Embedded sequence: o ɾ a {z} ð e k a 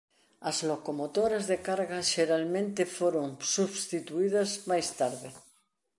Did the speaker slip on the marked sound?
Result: no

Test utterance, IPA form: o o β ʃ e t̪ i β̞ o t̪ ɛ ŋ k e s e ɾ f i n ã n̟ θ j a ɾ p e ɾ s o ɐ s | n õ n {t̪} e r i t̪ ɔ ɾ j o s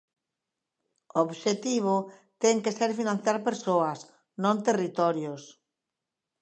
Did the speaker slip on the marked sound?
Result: no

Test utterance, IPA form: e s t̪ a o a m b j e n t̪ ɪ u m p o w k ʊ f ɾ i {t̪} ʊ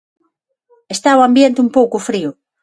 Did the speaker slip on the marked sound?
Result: yes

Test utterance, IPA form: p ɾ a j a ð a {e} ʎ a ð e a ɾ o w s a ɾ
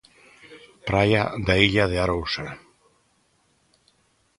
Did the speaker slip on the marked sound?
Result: yes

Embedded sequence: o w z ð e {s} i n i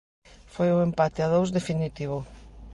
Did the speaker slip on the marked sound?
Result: yes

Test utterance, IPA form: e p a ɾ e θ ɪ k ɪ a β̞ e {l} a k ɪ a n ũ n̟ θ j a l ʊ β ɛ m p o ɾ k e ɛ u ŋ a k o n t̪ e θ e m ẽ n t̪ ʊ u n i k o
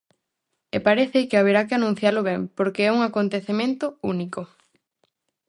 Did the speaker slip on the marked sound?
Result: yes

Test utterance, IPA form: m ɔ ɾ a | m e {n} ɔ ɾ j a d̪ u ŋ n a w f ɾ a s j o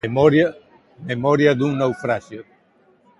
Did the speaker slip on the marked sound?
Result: yes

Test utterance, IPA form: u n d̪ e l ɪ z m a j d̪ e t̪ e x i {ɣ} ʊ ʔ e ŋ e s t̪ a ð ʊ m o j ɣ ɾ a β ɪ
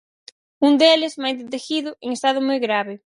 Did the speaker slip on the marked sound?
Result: yes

